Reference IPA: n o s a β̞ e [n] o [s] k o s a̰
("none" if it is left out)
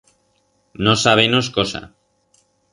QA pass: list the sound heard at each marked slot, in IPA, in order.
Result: n, s

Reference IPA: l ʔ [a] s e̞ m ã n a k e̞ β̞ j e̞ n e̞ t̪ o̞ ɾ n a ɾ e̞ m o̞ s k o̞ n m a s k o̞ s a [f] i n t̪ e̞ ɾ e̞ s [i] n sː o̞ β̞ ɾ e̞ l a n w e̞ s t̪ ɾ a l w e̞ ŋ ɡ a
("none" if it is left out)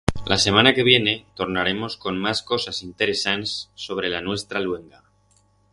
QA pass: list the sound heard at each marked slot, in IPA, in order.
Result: a, s, a

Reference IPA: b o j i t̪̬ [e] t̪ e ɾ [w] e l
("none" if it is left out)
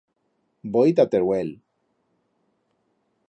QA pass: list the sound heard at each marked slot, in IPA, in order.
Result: a, w

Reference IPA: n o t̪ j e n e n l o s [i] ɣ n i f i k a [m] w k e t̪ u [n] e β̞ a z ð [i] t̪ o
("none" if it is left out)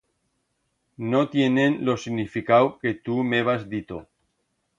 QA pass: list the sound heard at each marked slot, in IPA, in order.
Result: i, none, m, i

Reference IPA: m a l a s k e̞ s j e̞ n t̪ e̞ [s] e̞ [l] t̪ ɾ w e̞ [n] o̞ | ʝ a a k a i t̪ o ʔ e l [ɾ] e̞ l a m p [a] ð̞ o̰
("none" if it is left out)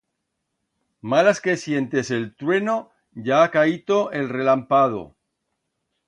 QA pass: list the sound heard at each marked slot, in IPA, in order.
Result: s, l, n, r, a

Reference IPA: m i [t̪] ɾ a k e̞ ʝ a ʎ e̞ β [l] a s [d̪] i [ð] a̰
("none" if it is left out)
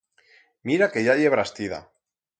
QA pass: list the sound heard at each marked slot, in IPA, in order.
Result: none, ɾ, t̪, ð

